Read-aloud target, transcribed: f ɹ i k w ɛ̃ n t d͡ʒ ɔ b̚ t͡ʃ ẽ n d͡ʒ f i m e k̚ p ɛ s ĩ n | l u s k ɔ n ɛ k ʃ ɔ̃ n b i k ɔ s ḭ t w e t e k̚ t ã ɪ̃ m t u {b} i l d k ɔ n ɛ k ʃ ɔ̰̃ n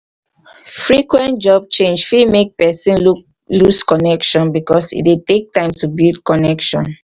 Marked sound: correct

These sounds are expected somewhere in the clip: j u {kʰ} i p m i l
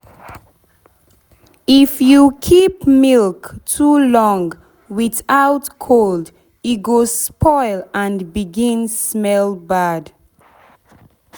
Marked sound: correct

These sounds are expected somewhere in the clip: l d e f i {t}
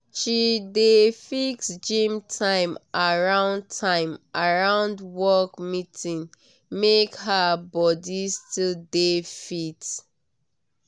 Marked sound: correct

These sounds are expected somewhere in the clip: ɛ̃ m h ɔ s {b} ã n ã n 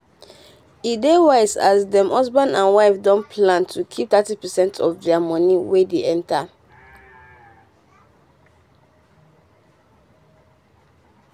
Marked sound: correct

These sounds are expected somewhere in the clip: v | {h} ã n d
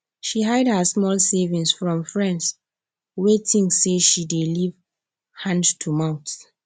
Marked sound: correct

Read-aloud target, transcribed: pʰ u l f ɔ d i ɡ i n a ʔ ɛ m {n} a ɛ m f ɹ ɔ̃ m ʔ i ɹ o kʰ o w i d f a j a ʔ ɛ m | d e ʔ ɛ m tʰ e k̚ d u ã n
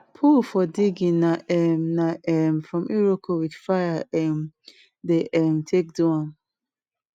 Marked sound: correct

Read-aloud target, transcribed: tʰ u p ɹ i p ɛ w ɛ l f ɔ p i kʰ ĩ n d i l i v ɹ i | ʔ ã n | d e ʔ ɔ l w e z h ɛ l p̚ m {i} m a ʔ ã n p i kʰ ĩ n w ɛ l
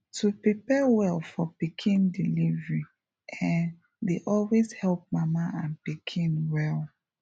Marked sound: incorrect: a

